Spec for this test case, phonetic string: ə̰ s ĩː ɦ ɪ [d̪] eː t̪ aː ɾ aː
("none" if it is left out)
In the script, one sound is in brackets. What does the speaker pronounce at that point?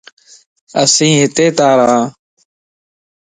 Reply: t̪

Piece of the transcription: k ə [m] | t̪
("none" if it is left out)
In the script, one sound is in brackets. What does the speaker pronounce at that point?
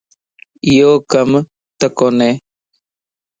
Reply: m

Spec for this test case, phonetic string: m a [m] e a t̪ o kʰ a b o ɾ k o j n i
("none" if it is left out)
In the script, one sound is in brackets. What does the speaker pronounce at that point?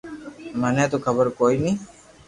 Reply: n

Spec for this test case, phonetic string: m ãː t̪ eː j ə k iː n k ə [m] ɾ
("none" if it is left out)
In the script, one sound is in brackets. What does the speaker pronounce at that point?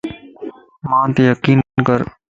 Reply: none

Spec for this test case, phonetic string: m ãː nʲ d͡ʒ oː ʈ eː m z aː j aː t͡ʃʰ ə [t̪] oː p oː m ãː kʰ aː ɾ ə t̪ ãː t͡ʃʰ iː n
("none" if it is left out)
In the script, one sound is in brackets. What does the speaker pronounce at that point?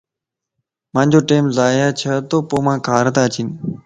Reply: t̪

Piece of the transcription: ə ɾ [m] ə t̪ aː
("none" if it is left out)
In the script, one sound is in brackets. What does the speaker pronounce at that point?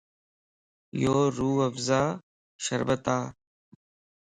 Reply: b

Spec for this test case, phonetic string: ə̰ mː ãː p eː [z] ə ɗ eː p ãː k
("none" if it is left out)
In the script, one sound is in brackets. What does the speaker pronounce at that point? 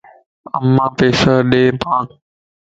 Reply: s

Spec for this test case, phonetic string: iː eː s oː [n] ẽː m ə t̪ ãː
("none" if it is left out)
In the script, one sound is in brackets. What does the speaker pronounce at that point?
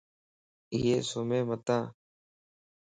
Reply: m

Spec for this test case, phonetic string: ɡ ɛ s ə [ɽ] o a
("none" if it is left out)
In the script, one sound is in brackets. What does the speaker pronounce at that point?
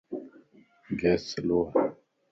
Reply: l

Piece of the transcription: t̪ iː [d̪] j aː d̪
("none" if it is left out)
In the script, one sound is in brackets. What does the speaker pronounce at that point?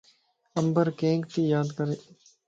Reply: none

